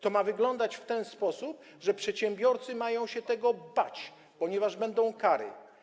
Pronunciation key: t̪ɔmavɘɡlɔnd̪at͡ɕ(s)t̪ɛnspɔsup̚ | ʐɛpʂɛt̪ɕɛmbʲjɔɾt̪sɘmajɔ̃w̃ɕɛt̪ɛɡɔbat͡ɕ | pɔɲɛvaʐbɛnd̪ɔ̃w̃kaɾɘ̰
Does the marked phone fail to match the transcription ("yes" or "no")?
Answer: yes